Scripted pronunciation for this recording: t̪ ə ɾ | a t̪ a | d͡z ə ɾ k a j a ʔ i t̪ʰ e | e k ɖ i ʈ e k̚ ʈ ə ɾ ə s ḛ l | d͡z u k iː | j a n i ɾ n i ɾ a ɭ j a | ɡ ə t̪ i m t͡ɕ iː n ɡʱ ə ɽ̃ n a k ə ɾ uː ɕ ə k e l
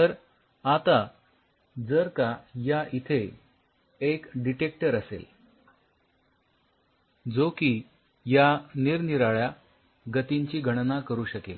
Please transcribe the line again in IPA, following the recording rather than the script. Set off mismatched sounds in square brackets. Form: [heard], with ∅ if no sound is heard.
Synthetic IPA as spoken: t̪ ə ɾ | a t̪ a | d͡z ə ɾ k a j a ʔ i t̪ʰ e | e k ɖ i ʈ e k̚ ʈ ə ɾ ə s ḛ l | d͡z [o] k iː | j a n i ɾ n i ɾ a ɭ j a | ɡ ə t̪ i [ɲ] t͡ɕ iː [∅] ɡʱ ə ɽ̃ n a k ə ɾ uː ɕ ə k e l